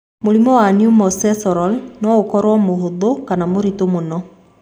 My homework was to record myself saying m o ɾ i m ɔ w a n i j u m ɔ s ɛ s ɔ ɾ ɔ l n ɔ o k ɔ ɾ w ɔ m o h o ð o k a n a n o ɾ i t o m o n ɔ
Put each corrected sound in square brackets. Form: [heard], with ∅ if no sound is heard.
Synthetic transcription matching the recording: m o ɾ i m ɔ w a n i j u m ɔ s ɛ s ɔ ɾ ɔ l n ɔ o k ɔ ɾ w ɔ m o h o ð o k a n a [m] o ɾ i t o m o n ɔ